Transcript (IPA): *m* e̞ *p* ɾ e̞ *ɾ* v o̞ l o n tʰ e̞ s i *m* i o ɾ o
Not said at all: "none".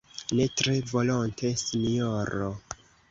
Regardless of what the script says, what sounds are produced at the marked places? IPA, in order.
n, t, none, n

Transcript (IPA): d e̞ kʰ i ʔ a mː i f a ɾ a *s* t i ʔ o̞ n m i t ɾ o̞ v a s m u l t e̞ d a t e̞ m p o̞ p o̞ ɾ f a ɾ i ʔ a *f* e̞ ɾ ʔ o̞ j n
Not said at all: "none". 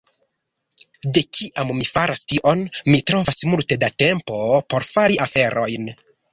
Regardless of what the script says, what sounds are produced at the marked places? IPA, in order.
s, f

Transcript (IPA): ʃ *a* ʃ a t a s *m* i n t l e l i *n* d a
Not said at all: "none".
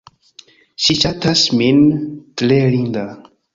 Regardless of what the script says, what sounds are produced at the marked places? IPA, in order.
i, m, n

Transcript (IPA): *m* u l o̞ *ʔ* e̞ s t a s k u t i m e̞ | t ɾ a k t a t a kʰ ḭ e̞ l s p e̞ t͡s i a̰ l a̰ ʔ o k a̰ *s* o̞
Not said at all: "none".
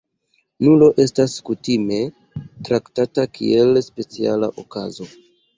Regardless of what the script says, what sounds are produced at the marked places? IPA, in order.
n, ʔ, z

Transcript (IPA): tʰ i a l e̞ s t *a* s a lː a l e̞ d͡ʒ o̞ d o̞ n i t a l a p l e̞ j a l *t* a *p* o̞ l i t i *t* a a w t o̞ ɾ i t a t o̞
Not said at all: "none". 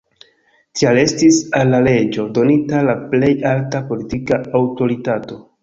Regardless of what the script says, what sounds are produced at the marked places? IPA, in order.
i, t, p, k

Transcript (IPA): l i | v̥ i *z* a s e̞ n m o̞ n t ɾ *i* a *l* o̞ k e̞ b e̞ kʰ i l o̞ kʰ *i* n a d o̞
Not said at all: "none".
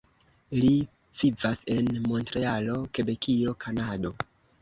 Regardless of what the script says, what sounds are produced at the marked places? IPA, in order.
v, e, l, a

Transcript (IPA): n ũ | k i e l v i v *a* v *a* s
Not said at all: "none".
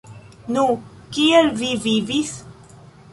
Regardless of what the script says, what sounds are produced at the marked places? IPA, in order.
i, i

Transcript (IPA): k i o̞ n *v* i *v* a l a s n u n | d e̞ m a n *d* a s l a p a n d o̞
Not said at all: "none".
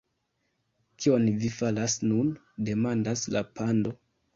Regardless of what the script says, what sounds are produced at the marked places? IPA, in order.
v, f, d

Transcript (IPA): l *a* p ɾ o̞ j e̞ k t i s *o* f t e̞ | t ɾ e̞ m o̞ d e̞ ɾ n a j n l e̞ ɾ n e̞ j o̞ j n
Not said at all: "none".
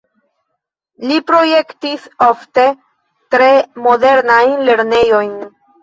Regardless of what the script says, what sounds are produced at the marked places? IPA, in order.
i, o

